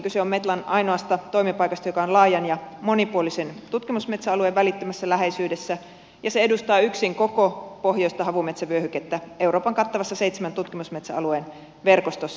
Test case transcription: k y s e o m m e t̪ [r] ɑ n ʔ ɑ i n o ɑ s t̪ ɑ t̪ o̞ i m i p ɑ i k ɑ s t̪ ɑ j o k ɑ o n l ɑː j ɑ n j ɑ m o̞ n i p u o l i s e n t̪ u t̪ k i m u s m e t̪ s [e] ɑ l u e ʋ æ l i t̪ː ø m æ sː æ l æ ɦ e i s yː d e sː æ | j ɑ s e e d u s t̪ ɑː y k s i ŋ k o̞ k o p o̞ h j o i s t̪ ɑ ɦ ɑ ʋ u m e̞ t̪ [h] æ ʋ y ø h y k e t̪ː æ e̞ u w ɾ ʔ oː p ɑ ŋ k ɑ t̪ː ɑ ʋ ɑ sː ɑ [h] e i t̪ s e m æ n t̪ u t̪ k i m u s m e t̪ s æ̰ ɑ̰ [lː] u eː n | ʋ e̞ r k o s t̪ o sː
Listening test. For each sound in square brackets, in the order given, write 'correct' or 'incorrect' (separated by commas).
incorrect, incorrect, incorrect, incorrect, incorrect